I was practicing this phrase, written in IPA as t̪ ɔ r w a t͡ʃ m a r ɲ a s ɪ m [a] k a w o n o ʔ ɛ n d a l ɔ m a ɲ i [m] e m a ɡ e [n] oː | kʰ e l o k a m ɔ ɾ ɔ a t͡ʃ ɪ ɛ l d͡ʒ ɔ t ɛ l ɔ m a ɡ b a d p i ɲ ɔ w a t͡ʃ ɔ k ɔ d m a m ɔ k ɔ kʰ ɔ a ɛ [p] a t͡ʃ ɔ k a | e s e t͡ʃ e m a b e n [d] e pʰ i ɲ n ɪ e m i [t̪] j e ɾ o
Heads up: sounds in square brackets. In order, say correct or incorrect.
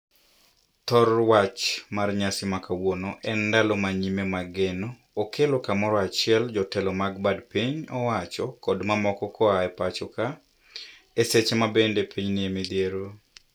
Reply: correct, correct, correct, correct, correct, incorrect

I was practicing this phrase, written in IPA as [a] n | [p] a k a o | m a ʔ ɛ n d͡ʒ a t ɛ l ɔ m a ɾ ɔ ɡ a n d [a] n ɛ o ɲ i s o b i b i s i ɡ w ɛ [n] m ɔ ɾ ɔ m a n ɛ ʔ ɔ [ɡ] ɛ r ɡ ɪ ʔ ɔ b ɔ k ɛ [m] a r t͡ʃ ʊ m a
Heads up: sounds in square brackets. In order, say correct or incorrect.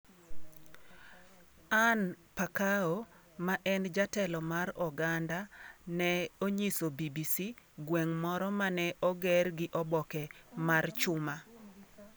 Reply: correct, correct, correct, incorrect, correct, correct

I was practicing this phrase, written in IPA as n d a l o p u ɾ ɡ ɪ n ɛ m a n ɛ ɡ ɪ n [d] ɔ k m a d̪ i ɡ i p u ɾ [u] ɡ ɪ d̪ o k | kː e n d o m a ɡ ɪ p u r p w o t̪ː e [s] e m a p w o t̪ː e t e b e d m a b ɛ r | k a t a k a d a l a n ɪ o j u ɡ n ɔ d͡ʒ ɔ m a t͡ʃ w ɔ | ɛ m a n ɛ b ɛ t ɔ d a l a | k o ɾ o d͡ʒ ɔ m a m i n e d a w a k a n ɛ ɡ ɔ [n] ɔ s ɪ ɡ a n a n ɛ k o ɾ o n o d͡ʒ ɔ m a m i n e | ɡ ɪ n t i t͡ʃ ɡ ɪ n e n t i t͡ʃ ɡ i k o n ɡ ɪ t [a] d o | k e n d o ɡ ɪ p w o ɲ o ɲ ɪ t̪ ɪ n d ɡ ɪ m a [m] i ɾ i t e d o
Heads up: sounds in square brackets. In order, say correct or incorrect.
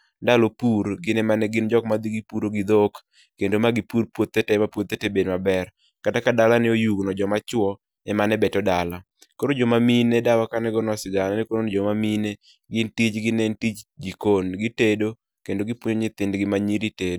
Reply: incorrect, incorrect, incorrect, correct, incorrect, incorrect

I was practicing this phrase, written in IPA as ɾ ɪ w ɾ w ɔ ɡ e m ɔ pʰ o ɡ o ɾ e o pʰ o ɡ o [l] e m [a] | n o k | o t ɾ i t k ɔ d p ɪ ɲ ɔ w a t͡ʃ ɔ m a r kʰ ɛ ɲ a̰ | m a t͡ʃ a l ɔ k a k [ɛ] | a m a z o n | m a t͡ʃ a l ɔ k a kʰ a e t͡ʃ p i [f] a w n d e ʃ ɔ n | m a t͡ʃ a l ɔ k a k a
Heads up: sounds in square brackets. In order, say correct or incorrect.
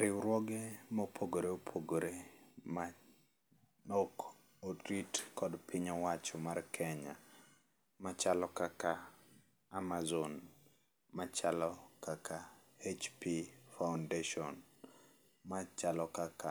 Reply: incorrect, correct, incorrect, correct

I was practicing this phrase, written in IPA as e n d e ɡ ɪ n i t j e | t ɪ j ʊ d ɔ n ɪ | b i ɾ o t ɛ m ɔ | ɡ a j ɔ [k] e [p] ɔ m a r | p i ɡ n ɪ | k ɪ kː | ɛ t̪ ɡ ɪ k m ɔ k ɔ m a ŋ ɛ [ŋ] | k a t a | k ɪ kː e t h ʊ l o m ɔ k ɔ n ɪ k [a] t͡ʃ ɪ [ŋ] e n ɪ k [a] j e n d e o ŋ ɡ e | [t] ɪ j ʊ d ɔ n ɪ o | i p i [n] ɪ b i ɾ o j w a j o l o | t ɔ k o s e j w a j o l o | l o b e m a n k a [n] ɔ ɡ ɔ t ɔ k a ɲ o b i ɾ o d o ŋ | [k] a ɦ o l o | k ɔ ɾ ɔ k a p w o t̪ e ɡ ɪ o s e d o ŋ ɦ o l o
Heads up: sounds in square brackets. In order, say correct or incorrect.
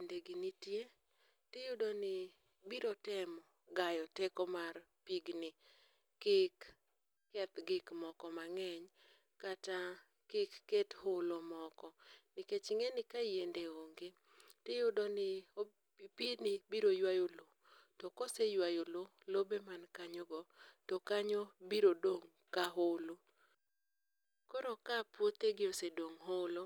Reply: incorrect, incorrect, incorrect, incorrect, correct, correct, correct, correct, incorrect, correct

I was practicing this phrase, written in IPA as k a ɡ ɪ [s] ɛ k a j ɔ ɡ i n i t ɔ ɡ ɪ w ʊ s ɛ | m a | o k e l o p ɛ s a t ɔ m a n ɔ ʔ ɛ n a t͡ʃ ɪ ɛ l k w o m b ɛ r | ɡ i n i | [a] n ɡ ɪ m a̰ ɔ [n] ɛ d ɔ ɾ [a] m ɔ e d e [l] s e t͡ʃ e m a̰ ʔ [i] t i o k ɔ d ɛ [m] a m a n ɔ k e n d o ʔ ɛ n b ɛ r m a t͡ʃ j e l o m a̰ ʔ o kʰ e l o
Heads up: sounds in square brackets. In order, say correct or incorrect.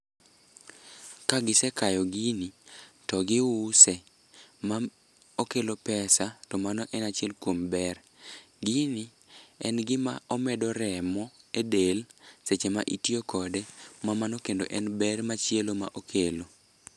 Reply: correct, incorrect, incorrect, incorrect, correct, correct, correct

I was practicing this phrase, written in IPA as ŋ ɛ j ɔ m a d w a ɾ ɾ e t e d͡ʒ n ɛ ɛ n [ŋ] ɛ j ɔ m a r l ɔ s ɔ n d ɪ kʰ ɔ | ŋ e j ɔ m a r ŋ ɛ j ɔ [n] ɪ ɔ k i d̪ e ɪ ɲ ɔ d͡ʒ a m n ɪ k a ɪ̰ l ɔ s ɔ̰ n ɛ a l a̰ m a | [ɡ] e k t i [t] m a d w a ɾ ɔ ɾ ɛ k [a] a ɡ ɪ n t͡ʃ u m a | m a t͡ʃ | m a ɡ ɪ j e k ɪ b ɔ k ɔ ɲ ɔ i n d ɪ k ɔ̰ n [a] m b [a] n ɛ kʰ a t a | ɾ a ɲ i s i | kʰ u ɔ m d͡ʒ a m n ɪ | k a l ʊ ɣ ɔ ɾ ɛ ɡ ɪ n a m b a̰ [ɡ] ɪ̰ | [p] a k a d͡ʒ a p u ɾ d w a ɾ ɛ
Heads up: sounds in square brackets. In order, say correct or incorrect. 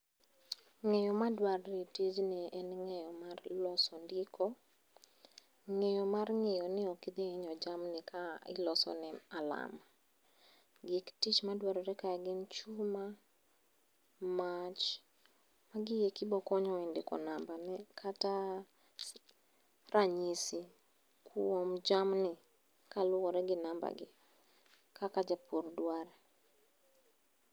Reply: correct, correct, correct, incorrect, correct, correct, correct, correct, incorrect

